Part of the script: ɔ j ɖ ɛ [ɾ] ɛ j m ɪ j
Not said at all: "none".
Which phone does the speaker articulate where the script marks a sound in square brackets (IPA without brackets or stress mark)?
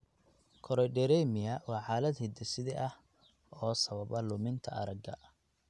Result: ɾ